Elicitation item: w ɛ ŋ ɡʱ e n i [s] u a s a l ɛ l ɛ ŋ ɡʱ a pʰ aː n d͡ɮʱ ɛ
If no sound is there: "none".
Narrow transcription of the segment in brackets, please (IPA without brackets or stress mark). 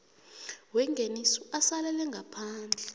s